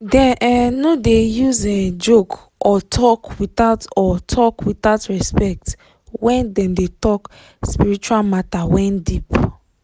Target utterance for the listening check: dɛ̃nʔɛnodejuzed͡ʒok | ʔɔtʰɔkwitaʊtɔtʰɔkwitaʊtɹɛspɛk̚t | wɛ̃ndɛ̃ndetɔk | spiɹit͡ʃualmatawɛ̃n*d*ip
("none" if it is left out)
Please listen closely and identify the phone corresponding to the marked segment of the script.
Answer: d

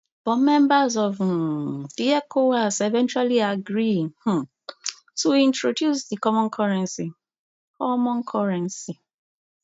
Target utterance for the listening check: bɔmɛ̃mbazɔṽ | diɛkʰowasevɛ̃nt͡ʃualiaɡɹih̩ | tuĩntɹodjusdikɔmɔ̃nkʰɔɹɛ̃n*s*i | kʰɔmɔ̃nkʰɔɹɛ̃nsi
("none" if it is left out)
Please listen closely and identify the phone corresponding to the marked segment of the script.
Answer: s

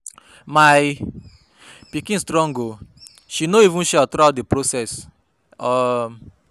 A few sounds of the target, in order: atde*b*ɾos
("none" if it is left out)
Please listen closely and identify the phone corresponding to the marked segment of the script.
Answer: p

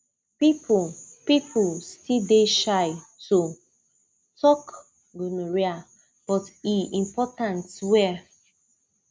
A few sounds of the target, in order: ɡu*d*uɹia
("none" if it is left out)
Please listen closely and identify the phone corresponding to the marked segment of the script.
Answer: n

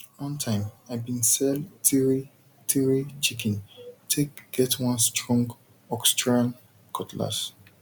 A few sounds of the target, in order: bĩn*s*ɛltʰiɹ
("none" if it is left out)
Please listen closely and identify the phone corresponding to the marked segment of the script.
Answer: s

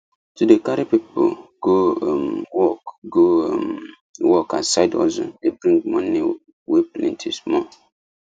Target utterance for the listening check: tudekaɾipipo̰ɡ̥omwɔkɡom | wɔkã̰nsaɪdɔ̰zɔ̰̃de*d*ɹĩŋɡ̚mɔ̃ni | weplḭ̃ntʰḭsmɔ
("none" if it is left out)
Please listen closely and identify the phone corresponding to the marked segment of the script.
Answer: b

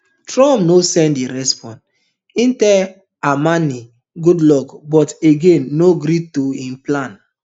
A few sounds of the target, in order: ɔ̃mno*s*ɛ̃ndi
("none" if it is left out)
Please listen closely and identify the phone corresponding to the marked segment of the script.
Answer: s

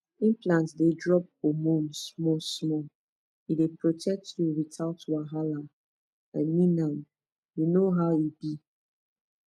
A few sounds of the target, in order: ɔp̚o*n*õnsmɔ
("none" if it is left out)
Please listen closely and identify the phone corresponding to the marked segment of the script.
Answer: m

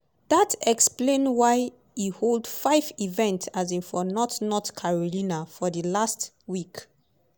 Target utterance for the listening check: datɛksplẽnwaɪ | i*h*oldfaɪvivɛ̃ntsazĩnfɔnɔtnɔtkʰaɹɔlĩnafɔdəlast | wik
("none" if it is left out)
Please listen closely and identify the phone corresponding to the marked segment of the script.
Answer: h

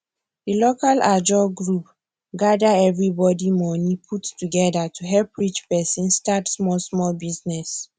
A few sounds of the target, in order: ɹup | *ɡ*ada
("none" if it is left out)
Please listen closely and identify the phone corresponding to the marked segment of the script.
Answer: ɡ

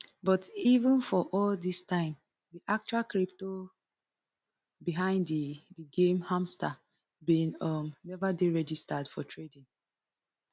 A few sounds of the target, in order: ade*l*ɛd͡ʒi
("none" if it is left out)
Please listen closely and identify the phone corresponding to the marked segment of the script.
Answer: ɹ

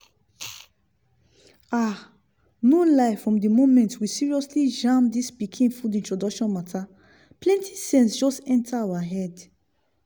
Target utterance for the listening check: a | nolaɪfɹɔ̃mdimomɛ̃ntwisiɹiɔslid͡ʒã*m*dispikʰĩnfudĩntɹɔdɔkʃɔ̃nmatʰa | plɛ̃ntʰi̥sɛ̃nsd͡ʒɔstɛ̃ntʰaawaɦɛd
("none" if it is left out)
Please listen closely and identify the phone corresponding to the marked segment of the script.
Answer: m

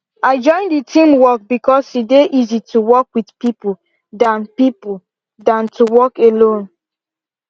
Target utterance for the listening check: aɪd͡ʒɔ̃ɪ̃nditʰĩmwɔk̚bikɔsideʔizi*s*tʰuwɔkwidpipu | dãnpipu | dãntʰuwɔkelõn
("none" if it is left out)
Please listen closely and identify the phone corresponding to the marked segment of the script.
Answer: none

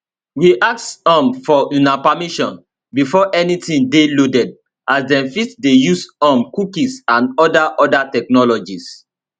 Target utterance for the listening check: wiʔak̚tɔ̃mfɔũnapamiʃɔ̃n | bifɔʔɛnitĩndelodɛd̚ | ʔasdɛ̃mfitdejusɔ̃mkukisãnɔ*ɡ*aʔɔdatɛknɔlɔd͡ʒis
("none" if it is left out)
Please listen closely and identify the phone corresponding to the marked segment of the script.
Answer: d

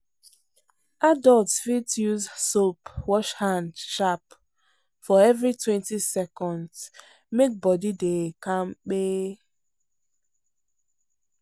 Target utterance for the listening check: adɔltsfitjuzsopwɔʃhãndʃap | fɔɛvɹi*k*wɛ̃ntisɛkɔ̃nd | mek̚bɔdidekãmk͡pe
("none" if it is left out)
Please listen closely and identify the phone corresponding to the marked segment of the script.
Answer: t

